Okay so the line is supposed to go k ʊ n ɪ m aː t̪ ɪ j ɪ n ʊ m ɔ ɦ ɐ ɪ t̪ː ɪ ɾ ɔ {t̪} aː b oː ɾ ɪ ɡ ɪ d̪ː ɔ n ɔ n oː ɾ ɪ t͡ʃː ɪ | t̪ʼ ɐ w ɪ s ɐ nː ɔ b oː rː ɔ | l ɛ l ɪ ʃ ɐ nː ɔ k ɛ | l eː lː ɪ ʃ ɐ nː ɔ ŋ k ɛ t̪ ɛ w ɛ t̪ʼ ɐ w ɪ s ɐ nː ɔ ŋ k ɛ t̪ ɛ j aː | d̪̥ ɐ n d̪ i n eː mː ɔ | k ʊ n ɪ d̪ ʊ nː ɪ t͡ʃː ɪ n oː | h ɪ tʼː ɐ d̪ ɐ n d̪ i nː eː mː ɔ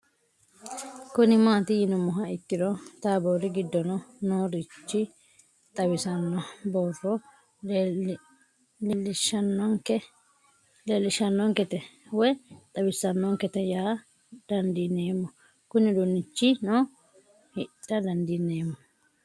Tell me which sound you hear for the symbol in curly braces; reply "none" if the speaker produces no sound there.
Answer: t̪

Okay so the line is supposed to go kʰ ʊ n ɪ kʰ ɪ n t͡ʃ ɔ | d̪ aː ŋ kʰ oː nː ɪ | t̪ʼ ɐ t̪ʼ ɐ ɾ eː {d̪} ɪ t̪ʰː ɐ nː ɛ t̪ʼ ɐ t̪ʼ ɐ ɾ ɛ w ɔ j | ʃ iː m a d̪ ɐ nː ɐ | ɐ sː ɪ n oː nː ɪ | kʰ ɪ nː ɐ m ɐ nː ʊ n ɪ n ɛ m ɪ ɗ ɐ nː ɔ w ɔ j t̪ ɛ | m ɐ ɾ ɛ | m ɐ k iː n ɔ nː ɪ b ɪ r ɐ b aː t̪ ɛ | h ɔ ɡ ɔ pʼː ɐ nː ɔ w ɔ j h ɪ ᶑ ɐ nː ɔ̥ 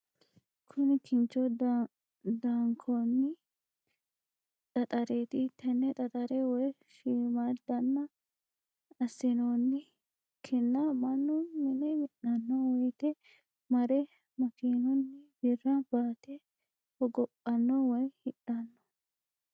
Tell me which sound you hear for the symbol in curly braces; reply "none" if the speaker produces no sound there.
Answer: t̪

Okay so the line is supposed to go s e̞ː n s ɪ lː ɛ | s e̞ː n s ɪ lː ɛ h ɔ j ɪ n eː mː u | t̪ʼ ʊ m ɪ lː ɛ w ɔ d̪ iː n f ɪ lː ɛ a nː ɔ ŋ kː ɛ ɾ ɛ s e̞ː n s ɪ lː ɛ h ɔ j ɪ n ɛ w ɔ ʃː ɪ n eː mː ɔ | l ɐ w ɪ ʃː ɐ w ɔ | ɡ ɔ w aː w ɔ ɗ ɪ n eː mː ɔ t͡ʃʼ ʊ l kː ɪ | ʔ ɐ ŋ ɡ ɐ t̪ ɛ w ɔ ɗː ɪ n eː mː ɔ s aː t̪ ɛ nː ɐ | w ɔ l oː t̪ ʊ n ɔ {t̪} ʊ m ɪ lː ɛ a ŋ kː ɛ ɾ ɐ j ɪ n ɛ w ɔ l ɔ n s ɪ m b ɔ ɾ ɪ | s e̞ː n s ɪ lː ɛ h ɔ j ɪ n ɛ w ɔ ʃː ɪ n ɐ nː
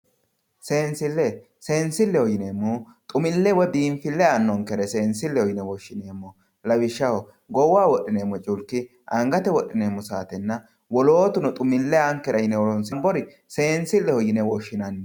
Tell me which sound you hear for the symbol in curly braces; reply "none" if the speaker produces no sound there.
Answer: t̪ʼ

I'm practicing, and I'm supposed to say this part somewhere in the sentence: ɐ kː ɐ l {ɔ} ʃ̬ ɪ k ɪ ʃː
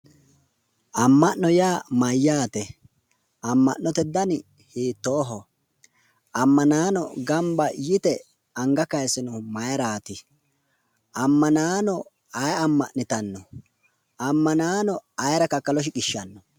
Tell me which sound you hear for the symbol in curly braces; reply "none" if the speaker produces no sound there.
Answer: ɔ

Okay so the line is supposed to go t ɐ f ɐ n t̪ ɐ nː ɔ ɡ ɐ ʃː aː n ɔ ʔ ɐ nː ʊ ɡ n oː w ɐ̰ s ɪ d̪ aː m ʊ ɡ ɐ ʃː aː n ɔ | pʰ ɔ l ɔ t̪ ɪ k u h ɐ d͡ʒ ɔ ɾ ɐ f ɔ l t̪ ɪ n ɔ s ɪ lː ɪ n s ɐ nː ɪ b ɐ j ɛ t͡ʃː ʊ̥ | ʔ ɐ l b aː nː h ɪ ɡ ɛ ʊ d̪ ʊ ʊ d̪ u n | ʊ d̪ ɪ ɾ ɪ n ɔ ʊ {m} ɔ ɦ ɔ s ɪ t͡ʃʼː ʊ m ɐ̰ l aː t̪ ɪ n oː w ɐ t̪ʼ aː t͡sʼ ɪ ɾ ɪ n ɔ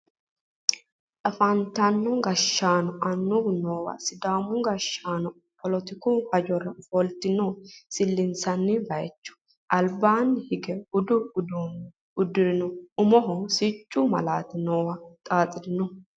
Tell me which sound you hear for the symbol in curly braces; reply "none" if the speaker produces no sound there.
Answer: m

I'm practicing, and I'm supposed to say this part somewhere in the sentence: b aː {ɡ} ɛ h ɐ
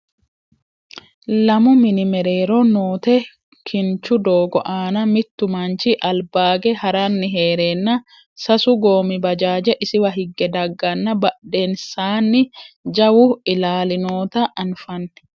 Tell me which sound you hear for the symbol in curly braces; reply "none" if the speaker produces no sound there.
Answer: ɡ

